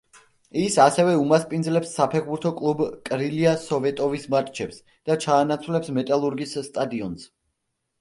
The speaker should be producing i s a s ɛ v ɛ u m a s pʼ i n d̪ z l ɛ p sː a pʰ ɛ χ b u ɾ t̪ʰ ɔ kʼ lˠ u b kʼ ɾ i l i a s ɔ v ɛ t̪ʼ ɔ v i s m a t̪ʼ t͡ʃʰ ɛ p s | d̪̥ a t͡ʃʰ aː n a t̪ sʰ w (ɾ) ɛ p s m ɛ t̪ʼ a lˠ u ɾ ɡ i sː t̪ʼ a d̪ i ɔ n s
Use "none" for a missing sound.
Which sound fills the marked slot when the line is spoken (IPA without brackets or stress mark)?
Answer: l